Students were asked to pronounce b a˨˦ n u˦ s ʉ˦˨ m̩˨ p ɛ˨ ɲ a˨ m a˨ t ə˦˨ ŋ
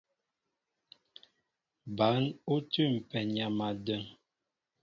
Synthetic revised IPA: b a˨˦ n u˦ t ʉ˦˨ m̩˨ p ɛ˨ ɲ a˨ m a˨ d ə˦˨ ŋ